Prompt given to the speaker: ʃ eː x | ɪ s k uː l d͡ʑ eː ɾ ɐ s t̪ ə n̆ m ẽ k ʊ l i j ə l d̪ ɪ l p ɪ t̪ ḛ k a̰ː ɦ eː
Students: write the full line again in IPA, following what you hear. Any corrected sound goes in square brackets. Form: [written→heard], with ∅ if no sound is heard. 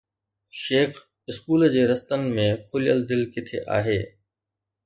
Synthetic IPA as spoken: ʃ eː x | ɪ s k uː l d͡ʑ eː ɾ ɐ s t̪ ə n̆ m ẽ [k→kʰ] ʊ l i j ə l d̪ ɪ l [p→k] ɪ [t̪→t̪ʰ] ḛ [k→ʔ] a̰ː ɦ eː